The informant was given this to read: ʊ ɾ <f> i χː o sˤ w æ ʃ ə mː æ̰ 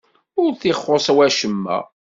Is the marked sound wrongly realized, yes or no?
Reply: yes